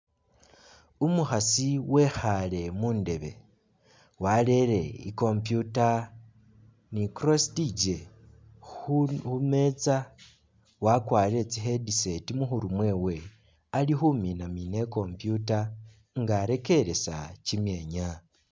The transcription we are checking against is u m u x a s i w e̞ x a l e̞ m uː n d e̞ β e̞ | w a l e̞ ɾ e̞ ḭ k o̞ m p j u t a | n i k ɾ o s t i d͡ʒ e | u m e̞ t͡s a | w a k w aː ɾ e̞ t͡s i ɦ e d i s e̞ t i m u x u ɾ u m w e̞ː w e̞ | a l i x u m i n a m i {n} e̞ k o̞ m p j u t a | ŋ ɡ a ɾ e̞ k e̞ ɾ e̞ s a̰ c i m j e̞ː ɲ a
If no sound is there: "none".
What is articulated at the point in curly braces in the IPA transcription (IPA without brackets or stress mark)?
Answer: n